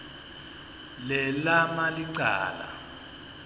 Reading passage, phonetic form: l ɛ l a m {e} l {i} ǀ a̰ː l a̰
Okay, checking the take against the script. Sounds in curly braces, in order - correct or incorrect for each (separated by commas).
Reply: incorrect, correct